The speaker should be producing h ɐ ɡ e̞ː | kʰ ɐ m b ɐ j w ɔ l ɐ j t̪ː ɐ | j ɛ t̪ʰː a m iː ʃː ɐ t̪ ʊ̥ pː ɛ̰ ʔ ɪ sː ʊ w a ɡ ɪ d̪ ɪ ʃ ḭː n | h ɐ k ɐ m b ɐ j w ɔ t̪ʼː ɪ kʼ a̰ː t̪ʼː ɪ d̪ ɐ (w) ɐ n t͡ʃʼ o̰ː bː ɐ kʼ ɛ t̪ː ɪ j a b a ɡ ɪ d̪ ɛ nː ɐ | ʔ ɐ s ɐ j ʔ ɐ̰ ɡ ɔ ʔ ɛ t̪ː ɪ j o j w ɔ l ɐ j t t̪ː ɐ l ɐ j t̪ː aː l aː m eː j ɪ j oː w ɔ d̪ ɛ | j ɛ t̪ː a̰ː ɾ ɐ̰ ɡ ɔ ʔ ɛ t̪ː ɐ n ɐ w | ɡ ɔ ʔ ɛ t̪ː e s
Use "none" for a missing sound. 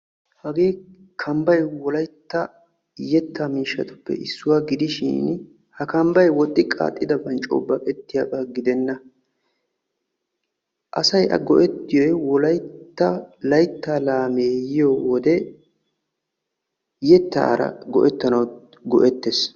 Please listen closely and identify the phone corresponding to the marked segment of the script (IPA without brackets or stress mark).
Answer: b